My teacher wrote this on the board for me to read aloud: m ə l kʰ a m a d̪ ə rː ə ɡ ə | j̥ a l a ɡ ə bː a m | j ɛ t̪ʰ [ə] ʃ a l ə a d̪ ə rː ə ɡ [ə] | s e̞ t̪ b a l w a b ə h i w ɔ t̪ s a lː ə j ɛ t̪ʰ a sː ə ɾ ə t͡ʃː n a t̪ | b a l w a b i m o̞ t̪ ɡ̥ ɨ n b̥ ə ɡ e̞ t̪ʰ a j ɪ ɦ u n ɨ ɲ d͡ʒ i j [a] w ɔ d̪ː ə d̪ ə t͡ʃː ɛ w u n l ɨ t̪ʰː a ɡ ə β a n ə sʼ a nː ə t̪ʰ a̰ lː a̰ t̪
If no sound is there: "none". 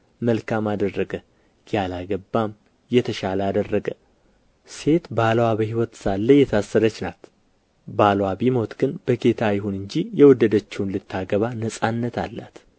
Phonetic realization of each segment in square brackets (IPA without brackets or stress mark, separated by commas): ə, ə, ɛ